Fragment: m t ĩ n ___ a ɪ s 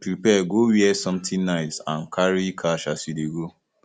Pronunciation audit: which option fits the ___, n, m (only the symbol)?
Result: n